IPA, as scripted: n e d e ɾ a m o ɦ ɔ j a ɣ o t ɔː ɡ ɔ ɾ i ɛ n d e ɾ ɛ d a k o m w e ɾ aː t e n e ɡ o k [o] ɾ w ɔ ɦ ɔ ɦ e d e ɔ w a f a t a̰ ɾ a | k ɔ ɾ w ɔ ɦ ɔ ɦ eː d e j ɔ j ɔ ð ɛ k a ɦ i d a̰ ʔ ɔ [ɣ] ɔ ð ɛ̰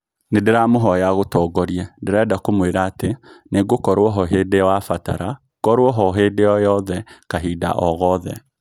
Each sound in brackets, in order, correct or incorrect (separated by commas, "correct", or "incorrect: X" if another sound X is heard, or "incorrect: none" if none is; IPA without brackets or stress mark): incorrect: ɔ, correct